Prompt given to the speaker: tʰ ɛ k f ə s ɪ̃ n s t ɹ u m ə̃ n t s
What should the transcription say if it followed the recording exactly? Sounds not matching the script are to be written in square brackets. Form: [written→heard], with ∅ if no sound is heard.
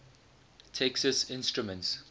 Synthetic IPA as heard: tʰ ɛ k [f→s] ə s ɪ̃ n s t ɹ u m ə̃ n t s